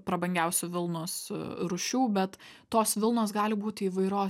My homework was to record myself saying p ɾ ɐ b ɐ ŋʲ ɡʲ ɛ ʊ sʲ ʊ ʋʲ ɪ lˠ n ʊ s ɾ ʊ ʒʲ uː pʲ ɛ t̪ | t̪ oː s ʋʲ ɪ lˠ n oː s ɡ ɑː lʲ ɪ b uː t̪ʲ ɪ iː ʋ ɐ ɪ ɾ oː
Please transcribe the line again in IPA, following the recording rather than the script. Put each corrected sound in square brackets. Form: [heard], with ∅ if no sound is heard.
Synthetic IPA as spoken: p ɾ ɐ b ɐ ŋʲ ɡʲ ɛ ʊ sʲ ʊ ʋʲ ɪ lˠ n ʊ s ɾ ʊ [ʃʲ] uː [bʲ] ɛ t̪ | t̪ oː s ʋʲ ɪ lˠ n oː s ɡ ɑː lʲ ɪ b uː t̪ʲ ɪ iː ʋ ɐ ɪ ɾ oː